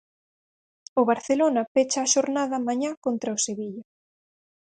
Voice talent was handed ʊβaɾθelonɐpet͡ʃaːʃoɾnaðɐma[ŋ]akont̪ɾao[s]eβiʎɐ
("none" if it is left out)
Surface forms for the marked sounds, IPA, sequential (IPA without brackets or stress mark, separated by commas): ɲ, s